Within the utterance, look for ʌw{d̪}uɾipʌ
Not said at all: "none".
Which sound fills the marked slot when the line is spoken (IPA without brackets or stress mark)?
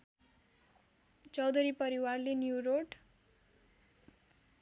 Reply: d̪